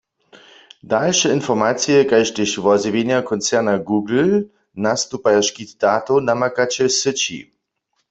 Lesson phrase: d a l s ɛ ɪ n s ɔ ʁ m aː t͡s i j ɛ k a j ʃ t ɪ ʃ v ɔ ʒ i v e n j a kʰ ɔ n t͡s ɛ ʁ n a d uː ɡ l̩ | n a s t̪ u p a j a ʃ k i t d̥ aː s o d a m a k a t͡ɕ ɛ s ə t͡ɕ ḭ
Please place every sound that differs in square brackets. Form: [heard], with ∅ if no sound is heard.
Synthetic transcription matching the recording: d a l [ʃ] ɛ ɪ n [f] ɔ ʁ m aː t͡s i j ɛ k a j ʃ t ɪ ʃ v ɔ [z] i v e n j a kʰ ɔ n t͡s ɛ ʁ n a [ɡ] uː ɡ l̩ | n a s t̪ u p a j a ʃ k i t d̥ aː [t] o [n] a m a k a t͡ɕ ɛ s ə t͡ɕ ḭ